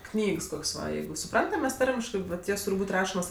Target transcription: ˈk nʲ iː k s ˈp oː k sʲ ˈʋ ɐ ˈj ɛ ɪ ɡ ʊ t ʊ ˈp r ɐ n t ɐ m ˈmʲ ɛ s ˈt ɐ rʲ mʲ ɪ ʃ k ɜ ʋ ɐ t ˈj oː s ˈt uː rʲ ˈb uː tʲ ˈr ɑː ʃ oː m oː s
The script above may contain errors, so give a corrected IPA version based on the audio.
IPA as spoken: ˈk nʲ iː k s ˈk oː k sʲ ˈʋ ɐ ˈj ɛ ɪ ɡ ʊ s ʊ ˈp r ɐ n t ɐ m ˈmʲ ɛ s ˈt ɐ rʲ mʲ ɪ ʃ k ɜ ʋ ɐ t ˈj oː s ˈt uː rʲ ˈb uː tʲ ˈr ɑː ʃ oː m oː s

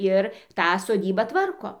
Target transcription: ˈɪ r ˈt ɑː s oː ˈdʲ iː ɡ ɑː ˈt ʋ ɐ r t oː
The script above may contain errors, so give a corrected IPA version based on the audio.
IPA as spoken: ˈɪ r ˈt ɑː s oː ˈdʲ iː b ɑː ˈt ʋ ɐ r k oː

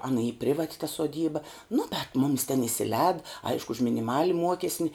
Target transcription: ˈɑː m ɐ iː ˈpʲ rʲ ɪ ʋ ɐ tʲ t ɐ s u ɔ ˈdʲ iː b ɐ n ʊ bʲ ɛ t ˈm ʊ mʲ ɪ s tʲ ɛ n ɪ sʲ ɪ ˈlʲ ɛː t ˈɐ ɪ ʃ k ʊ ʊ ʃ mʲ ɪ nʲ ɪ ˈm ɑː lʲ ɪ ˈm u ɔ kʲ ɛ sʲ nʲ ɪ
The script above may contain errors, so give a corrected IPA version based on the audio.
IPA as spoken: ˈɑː n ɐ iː ˈpʲ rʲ ɪ ʋ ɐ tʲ t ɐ s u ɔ ˈdʲ iː b ɐ n ʊ bʲ ɛ t ˈm ʊ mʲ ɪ s tʲ ɛ n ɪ sʲ ɪ ˈlʲ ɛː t ˈɐ ɪ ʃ k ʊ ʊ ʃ mʲ ɪ nʲ ɪ ˈm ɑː lʲ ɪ ˈm u ɔ kʲ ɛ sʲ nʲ ɪ

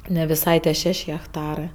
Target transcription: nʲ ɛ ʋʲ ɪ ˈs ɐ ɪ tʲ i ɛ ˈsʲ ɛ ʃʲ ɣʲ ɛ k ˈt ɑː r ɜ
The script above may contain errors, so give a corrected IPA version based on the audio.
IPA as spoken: nʲ ɛ ʋʲ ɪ ˈs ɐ ɪ tʲ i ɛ ˈʃʲ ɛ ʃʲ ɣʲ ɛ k ˈt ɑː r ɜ

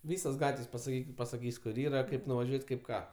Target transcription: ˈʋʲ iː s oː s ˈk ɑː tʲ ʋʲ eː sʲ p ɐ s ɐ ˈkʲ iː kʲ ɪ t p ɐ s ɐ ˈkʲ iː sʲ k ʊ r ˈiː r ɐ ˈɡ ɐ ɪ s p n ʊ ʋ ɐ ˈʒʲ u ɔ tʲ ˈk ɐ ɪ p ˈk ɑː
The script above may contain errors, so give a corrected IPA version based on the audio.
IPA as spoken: ˈʋʲ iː s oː s ˈɡ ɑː tʲ ʋʲ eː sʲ p ɐ s ɐ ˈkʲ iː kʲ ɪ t p ɐ s ɐ ˈkʲ iː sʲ k ʊ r ˈiː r ɐ ˈk ɐ ɪ p n ʊ ʋ ɐ ˈʒʲ u ɔ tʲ ˈk ɐ ɪ p ˈk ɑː

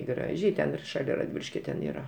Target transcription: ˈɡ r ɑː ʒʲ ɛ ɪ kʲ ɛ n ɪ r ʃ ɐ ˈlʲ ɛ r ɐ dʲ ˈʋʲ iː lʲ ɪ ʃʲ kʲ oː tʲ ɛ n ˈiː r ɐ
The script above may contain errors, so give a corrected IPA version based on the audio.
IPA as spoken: ˈɡ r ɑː ʒʲ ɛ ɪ tʲ ɛ n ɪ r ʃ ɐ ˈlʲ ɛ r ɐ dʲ ˈʋʲ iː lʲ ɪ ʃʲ kʲ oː tʲ ɛ n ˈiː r ɐ

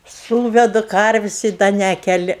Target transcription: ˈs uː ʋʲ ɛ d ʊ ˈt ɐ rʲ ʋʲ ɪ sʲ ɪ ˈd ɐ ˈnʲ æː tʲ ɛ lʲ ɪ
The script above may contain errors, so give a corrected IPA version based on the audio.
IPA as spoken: ˈs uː ʋʲ ɛ d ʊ ˈk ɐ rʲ ʋʲ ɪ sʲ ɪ ˈd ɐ ˈnʲ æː kʲ ɛ lʲ ɪ

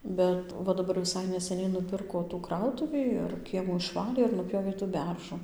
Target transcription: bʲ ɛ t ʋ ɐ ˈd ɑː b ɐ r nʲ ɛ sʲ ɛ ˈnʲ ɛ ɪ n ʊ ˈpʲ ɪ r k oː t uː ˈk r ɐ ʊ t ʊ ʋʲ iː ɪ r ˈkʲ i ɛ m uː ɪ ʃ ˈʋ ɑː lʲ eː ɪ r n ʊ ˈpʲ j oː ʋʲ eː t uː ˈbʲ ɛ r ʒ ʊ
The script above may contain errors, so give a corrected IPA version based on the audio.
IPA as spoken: bʲ ɛ t ʋ ɐ ˈd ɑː b ɐ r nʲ ɛ sʲ ɛ ˈnʲ ɛ ɪ n ʊ ˈpʲ ɪ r k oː t uː ˈk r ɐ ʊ t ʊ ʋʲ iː ɪ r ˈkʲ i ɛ m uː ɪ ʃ ˈʋ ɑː lʲ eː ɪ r n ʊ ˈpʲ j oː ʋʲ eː t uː ˈbʲ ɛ r ʒ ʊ

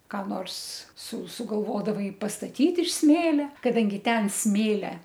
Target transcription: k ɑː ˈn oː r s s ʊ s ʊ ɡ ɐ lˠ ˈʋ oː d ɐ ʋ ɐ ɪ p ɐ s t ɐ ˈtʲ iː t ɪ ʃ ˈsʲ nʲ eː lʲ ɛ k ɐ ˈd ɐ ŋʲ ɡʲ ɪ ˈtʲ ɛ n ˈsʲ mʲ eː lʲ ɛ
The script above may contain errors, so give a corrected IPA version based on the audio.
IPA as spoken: k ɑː ˈn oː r s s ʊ s ʊ ɡ ɐ lˠ ˈʋ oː d ɐ ʋ ɐ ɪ p ɐ s t ɐ ˈtʲ iː t ɪ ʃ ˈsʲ mʲ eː lʲ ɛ k ɐ ˈd ɐ ŋʲ ɡʲ ɪ ˈtʲ ɛ n ˈsʲ mʲ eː lʲ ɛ

